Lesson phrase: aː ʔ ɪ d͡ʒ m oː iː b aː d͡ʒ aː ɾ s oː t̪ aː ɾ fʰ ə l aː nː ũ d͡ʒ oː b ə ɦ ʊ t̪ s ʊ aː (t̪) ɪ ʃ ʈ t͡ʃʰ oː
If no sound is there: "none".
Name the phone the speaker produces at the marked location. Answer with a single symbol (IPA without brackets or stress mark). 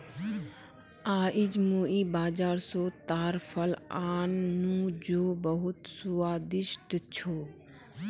d̪